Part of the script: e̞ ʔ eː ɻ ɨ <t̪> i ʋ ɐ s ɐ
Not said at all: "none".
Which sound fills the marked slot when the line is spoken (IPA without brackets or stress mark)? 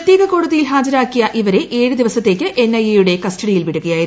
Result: d̪